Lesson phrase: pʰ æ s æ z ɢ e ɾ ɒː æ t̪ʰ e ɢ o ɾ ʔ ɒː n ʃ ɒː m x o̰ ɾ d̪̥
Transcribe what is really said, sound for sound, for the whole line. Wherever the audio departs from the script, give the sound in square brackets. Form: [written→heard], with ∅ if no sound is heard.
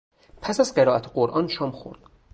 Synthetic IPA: pʰ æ s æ z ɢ e ɾ ɒː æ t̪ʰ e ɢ o ɾ ʔ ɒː n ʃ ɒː m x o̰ ɾ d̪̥